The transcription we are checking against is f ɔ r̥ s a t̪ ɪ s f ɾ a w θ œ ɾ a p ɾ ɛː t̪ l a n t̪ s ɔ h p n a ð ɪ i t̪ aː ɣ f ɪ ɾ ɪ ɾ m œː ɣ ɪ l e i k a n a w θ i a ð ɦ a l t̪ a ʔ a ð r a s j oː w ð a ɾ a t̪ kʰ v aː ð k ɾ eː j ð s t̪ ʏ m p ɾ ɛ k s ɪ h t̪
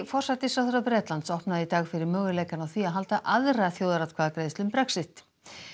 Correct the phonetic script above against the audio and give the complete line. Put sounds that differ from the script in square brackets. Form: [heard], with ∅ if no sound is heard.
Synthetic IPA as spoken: f ɔ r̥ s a t̪ ɪ s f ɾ a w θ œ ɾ a p ɾ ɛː t̪ l a n t̪ s ɔ h p n a ð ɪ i t̪ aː ɣ f ɪ ɾ ɪ ɾ m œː ɣ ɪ l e [j] k a n a w θ i a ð ɦ a l t̪ a ʔ a ð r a [θ] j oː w ð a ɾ a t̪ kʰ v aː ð k ɾ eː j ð s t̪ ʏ m p ɾ ɛ k s ɪ h t̪